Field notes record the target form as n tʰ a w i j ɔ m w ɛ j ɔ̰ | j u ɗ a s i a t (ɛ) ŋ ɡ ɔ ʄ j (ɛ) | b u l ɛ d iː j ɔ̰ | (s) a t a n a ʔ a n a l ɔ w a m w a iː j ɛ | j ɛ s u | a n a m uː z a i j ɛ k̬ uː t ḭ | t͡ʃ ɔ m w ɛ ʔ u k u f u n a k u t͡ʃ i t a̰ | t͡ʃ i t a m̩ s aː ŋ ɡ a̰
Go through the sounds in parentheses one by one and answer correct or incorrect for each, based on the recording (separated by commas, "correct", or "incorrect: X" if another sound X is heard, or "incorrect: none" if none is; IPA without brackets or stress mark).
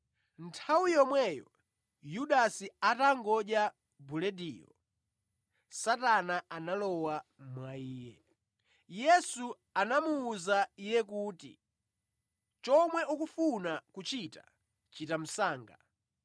incorrect: a, incorrect: a, correct